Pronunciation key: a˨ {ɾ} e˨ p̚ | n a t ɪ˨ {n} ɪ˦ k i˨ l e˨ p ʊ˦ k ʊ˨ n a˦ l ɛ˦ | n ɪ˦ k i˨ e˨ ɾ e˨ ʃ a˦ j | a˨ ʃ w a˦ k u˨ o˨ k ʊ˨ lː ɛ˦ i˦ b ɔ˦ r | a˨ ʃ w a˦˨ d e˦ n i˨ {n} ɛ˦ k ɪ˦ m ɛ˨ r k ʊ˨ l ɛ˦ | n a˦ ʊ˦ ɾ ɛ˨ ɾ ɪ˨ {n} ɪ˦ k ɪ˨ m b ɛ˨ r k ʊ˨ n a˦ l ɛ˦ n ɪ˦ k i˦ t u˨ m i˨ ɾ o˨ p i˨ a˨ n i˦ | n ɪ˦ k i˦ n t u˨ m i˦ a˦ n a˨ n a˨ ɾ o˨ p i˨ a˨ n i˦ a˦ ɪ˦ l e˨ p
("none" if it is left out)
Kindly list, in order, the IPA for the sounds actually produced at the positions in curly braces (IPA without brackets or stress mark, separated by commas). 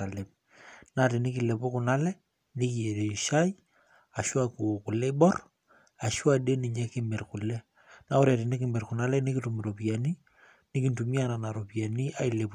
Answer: l, n, ɲ, n